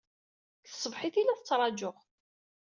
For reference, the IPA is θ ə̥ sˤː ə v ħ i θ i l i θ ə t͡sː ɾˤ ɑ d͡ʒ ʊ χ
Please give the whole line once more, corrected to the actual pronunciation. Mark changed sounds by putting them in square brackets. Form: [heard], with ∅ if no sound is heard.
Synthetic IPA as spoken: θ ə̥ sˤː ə v ħ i θ i l [æ] θ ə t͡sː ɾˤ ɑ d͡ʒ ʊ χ

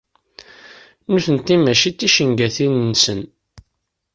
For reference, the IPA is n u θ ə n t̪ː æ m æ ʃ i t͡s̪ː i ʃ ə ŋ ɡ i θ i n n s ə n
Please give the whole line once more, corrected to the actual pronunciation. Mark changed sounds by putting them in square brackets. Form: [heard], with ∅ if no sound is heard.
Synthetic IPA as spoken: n u θ ə n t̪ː [i] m æ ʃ i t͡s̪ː i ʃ ə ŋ ɡ [æ] θ i n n s ə n

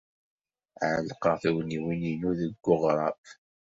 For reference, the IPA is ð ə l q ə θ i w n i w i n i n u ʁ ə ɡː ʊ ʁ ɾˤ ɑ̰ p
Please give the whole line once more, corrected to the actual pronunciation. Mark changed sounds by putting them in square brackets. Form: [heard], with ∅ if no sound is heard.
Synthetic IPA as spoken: [ʕ] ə l q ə θ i w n i w i n i n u [ð] ə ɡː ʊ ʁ ɾˤ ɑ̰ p

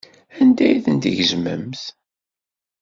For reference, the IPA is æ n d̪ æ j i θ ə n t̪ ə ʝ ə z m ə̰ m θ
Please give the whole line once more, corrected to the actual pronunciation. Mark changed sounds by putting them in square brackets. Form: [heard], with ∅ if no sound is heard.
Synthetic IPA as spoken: æ n d̪ æ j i θ ə n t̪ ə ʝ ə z m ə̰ m θ

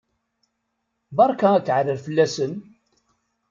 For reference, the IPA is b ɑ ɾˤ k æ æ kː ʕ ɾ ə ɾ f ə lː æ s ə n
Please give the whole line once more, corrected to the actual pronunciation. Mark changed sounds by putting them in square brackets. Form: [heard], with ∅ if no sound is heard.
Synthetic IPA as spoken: b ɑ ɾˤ k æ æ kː ʕ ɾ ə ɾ f ə lː æ s ə n

